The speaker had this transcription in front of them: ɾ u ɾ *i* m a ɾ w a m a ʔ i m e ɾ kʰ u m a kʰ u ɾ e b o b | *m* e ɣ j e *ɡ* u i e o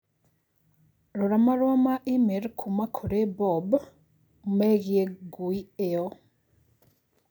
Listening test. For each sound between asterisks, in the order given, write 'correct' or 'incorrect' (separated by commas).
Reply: incorrect, correct, correct